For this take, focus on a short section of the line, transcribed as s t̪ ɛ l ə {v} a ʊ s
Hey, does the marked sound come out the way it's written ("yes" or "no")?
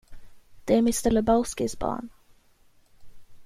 no